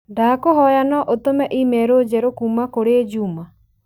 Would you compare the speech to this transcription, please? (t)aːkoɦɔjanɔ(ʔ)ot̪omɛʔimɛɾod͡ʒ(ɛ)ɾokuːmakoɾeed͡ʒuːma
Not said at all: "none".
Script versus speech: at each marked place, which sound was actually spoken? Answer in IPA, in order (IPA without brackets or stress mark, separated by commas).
d, ʔ, ɛ